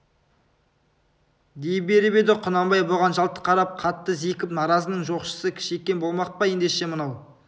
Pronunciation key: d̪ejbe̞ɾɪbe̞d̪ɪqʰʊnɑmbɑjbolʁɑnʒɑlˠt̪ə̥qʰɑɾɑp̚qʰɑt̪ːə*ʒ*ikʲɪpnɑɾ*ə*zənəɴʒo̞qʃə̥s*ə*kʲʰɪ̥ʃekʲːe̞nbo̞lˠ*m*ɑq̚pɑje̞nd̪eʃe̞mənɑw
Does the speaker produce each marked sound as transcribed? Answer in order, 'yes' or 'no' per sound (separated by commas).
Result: no, no, yes, yes